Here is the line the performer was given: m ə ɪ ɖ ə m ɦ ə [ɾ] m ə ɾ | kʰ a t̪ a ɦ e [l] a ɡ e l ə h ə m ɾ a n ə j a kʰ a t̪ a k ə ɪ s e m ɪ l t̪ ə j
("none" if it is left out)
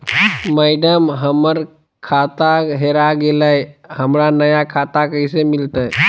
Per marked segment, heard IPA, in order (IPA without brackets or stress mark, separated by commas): none, ɾ